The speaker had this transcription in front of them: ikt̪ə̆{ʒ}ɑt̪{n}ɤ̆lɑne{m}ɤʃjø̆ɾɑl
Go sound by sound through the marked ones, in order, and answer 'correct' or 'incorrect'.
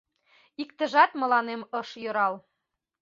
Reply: correct, incorrect: m, correct

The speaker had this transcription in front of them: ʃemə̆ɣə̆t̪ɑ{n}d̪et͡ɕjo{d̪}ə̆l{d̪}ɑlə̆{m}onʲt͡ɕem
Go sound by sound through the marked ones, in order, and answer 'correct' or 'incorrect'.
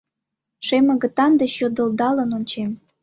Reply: correct, correct, correct, incorrect: n

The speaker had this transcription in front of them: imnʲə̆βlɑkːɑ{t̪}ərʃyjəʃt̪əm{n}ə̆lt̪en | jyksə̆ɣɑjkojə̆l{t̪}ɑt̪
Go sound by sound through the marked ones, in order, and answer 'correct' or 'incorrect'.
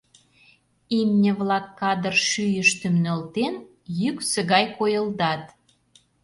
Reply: incorrect: d̪, correct, incorrect: d̪

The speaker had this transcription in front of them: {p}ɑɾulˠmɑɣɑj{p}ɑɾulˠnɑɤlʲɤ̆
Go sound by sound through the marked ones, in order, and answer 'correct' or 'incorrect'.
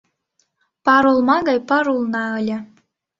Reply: correct, correct

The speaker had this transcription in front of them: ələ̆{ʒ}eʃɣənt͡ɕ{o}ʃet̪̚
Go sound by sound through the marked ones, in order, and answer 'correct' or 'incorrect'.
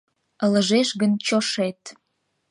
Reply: correct, correct

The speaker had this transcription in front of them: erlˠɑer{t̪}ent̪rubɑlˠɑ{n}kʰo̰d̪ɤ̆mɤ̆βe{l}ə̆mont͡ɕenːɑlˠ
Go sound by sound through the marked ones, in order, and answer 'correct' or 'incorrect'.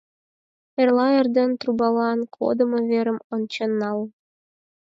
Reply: incorrect: d̪, correct, incorrect: ɾ

